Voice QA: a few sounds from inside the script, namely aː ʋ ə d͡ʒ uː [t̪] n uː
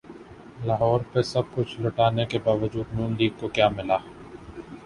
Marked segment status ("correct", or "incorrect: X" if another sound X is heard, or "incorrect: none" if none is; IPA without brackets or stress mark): incorrect: d̪